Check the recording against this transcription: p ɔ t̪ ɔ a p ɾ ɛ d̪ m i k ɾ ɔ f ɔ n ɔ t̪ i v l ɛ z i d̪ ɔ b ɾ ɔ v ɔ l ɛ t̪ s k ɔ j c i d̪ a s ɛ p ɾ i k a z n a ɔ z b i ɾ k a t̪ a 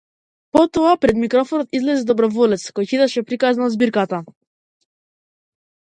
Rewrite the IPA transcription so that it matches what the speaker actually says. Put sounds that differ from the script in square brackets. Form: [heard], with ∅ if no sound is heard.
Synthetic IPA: p ɔ t̪ ɔ a p ɾ ɛ d̪ m i k ɾ ɔ f ɔ n ɔ t̪ i [z] l ɛ z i d̪ ɔ b ɾ ɔ v ɔ l ɛ t̪ s k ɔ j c i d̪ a [ʃ] ɛ p ɾ i k a z n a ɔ z b i ɾ k a t̪ a